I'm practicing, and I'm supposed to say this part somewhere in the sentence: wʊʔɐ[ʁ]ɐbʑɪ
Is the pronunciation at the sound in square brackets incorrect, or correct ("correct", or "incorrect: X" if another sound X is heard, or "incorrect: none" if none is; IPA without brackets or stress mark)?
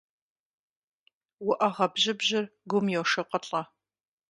correct